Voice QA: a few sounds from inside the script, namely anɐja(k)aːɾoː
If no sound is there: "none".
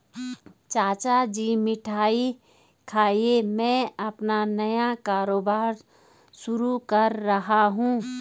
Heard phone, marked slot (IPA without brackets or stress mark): k